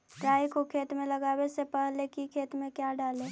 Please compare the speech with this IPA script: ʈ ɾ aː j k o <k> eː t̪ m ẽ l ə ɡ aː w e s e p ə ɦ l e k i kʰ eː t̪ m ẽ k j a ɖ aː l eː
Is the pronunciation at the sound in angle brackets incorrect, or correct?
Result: incorrect